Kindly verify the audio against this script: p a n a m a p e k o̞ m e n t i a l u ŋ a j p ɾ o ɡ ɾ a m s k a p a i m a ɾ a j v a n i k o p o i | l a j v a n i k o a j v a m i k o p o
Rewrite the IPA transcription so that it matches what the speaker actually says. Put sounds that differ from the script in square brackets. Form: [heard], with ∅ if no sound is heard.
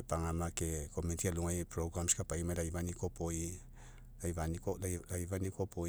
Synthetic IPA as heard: p a [ŋ] a m a [k] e k o̞ m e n t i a l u ŋ a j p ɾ o ɡ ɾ a m s k a p a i m a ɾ a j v a n i k o p o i | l a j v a n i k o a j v a [n] i k o p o